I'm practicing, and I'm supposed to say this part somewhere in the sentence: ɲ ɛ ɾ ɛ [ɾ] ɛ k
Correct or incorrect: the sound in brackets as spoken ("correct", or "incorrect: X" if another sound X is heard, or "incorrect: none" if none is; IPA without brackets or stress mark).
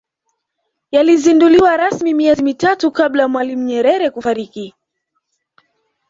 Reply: correct